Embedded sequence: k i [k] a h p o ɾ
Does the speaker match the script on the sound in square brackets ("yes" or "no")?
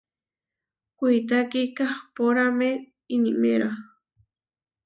yes